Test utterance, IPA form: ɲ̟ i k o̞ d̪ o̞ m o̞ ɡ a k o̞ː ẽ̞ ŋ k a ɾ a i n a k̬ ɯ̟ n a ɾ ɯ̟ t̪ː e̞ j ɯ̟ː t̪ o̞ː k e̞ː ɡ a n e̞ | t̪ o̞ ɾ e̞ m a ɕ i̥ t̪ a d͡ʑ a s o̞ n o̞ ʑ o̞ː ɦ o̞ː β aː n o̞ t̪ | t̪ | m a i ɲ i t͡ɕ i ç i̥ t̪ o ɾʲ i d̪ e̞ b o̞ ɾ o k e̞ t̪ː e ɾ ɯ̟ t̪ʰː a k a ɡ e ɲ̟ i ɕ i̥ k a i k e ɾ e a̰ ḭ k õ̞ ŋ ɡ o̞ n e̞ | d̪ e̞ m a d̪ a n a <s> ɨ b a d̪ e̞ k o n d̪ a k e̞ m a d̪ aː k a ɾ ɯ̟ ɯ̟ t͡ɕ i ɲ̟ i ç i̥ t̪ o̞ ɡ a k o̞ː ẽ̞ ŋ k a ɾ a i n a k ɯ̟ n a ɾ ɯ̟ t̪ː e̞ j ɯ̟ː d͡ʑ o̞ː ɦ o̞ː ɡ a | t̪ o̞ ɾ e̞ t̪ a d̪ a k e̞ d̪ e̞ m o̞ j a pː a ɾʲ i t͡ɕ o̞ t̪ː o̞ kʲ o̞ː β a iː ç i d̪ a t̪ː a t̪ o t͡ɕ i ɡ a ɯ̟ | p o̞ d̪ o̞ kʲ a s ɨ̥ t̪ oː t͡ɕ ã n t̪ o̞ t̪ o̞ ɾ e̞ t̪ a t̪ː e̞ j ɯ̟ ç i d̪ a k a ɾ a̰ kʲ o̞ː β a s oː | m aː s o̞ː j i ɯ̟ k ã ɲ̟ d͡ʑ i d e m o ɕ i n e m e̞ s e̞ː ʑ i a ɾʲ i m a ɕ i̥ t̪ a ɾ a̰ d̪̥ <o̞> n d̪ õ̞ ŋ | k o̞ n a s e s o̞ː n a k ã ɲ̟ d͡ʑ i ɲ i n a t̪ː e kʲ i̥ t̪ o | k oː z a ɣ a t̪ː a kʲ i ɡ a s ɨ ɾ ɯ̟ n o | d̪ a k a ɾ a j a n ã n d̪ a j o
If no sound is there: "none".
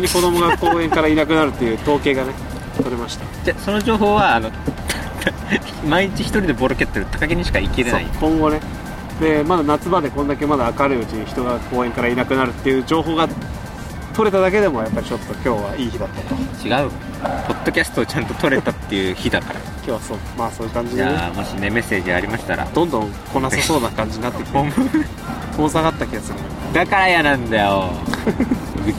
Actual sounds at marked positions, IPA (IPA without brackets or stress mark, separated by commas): t͡s, õ̞